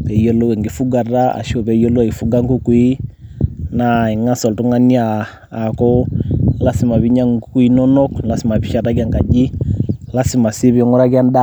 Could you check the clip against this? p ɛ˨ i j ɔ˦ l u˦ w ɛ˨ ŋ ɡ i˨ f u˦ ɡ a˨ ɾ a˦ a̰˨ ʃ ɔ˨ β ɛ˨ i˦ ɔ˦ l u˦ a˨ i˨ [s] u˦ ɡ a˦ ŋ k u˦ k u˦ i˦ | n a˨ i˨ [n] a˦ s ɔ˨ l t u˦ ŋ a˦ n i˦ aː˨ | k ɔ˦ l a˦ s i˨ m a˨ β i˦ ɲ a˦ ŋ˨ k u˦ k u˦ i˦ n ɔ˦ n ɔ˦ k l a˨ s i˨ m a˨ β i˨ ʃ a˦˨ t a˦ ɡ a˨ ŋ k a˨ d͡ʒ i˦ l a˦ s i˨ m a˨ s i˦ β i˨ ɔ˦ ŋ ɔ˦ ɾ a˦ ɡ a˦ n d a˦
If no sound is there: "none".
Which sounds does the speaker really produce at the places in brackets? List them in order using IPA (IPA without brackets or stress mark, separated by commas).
f, ŋ